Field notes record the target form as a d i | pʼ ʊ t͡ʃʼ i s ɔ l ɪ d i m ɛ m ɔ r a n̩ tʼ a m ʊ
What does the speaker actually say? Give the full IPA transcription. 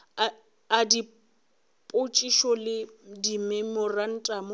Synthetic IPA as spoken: a d i | pʼ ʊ t͡ʃʼ i ʃ ɔ l ɪ d i m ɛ m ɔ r a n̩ tʼ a m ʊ

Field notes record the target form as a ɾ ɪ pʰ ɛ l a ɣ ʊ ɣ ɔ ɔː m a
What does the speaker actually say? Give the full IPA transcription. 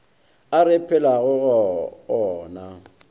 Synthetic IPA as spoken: a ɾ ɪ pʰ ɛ l a ɣ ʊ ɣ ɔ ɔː n a

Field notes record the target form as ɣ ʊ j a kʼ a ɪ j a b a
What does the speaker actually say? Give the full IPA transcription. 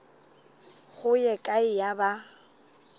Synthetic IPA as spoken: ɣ ʊ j ɛ kʼ a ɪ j a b a

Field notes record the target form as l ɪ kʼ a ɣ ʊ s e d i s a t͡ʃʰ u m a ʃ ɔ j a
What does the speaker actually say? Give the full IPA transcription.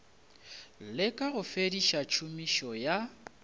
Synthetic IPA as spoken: l ɪ kʼ a ɣ ʊ f e d i ʃ a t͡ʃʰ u m i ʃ ɔ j a

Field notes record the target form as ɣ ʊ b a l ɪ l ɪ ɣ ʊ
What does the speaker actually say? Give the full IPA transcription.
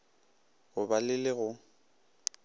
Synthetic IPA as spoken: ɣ ʊ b a l ɪ l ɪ ɣ ʊ

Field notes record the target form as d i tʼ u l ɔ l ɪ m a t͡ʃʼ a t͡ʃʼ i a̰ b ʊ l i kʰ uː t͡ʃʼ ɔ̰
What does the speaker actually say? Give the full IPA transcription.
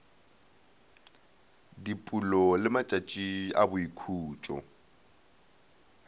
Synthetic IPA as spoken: d i pʼ u l ɔ l ɪ m a t͡ʃʼ a t͡ʃʼ i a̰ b ʊ i kʰ uː t͡ʃʼ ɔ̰

